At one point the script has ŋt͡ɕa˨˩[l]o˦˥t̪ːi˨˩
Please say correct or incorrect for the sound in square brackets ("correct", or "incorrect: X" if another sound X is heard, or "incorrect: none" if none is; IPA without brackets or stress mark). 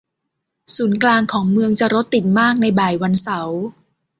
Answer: incorrect: ɾ